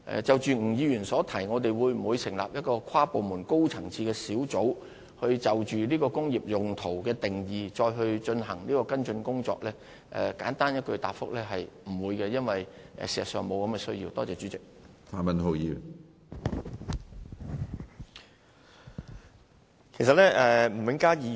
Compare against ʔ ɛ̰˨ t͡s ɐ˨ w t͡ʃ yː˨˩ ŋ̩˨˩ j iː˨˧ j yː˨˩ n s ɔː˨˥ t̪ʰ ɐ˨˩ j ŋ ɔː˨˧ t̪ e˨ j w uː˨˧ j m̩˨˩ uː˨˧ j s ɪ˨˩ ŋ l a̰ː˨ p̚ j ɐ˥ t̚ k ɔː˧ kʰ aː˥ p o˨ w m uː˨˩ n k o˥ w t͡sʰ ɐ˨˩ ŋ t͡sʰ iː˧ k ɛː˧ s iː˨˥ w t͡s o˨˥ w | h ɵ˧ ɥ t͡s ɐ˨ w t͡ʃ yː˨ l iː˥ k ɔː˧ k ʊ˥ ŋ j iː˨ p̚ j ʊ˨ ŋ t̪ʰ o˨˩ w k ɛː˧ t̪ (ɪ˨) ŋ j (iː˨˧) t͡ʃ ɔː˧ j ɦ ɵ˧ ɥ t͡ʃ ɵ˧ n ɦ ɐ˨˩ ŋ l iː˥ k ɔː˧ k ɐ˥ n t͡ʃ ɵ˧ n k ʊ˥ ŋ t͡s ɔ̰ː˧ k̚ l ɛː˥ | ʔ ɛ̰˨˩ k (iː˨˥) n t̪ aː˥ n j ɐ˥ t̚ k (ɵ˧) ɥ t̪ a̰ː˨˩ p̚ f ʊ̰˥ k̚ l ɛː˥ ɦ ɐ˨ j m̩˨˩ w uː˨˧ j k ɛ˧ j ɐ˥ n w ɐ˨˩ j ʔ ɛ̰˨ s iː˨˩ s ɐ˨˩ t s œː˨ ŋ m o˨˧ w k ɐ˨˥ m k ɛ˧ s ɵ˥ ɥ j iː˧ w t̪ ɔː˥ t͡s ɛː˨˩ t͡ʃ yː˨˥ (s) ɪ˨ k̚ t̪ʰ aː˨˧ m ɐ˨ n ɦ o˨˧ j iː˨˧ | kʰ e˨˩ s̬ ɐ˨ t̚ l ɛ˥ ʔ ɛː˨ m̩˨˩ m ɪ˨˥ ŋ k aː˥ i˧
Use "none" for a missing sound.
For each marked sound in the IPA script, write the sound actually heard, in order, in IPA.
ɪ˨, iː˨˧, aː˨˥, ɵ˧, t͡s

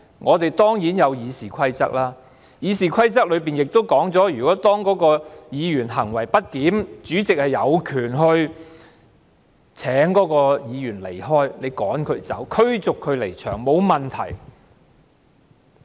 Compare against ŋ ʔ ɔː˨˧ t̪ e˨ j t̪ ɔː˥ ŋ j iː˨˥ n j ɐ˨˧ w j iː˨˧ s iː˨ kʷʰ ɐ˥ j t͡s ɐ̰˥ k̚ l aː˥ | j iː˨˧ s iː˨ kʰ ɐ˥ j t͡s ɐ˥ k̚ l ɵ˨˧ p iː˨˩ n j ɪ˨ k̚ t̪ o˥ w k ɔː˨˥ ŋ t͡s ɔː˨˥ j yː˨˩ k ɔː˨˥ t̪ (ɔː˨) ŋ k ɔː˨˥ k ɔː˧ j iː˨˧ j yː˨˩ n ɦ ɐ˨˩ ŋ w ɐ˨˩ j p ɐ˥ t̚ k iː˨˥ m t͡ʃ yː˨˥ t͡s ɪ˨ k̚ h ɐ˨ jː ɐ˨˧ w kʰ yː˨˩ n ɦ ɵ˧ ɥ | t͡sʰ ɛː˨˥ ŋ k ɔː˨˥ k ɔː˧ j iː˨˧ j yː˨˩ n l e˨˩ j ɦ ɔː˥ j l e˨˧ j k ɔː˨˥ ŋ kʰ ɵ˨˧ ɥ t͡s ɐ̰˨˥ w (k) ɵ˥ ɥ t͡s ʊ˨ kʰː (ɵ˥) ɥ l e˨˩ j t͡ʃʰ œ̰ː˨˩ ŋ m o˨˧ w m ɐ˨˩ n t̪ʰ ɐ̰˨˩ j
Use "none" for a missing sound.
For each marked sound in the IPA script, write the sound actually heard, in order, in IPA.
ɔː˥, kʰ, ɵ˨˧

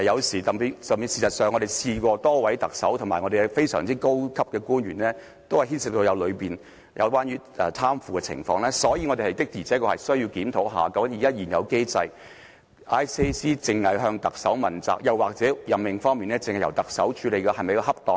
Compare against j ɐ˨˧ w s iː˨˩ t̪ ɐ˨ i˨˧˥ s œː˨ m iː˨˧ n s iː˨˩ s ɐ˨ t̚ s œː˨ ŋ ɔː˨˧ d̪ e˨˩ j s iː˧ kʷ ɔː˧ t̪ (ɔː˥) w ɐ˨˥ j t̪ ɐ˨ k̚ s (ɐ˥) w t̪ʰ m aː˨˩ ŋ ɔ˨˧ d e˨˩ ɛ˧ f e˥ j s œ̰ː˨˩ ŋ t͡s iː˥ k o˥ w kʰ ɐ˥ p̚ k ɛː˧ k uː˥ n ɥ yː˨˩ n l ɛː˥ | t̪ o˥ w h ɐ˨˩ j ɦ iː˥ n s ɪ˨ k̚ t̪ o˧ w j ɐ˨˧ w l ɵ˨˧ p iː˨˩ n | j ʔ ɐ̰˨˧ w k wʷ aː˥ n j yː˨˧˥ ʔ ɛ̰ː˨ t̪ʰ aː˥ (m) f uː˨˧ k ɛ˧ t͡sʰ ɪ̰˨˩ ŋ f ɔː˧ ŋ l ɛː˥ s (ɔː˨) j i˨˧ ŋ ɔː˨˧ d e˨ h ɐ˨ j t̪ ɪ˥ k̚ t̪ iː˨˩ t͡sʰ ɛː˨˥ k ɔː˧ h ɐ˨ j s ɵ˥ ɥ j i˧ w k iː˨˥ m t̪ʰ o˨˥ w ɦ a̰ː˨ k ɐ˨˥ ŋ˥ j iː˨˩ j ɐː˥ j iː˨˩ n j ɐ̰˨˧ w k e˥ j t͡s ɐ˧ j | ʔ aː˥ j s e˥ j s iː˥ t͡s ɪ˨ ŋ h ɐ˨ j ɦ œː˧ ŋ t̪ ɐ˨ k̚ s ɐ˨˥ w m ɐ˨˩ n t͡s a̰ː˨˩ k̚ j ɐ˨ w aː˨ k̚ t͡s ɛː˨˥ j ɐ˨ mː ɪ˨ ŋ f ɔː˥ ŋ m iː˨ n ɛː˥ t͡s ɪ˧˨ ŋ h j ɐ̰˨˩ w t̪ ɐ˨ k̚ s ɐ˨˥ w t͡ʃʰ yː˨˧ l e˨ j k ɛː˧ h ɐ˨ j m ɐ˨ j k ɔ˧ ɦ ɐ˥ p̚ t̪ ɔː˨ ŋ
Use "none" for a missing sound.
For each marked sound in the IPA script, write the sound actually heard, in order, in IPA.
ɔː˥, ɐ˨˥, m, ɔː˨˥

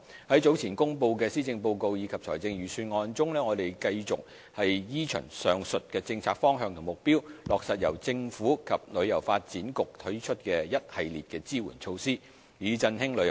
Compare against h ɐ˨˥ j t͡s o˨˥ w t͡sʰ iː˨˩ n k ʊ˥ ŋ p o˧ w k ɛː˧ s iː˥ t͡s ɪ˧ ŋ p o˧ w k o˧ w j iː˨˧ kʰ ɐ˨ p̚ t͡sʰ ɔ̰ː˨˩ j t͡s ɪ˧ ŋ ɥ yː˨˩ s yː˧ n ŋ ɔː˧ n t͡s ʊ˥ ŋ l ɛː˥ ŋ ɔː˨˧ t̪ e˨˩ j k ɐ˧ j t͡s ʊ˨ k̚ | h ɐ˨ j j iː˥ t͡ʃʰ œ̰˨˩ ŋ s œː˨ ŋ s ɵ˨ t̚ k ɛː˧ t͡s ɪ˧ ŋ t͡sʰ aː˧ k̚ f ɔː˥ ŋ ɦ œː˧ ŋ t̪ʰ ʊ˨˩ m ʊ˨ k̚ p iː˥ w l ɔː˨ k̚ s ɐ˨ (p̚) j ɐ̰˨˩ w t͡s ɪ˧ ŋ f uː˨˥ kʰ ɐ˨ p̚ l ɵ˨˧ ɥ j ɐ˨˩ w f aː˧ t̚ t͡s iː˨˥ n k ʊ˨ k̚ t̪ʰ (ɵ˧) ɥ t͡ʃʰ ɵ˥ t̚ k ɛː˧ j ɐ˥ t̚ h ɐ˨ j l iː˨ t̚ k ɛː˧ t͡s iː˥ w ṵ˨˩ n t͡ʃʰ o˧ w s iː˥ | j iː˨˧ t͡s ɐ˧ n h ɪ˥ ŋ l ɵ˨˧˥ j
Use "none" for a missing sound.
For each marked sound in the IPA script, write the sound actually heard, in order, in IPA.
t̚, ɵ˨˥

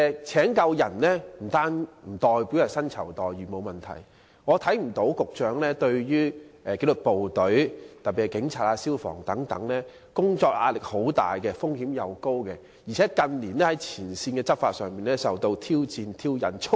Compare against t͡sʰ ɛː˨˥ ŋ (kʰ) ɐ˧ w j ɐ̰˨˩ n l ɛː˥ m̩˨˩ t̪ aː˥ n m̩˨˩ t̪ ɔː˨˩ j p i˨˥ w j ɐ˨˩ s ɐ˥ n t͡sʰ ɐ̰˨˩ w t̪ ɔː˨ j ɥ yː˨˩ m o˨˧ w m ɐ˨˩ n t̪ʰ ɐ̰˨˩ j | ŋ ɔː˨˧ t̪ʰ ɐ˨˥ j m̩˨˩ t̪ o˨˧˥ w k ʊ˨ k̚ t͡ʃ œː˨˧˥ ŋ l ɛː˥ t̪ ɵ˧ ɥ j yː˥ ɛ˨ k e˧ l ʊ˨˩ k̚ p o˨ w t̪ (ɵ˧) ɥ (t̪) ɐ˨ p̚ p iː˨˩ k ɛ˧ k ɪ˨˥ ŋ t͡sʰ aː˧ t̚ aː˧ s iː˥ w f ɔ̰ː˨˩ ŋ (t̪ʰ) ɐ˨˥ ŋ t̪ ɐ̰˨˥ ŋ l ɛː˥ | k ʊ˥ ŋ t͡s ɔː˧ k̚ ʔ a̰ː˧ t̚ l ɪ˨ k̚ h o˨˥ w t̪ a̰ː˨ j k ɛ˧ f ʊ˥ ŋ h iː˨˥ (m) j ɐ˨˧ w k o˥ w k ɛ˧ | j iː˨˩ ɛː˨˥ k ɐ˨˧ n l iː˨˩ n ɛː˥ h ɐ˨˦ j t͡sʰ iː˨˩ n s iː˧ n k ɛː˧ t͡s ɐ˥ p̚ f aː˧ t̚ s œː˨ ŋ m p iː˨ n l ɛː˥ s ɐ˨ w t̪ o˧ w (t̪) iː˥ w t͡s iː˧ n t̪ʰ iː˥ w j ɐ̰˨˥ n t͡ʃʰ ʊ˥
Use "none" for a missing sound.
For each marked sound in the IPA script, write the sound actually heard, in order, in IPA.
k, ɵ˨˥, t̪, t̪, m, t̪ʰ

